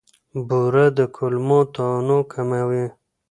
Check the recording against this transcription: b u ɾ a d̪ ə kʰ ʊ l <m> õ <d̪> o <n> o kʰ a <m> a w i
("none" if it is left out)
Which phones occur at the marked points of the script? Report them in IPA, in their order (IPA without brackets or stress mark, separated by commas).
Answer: m, t̪, n, m